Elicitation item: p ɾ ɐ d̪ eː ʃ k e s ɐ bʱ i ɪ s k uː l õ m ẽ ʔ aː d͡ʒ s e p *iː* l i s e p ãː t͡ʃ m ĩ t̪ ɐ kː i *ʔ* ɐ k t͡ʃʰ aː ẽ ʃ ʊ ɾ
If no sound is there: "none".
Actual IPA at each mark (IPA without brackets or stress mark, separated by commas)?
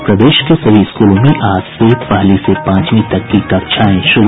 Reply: aː, k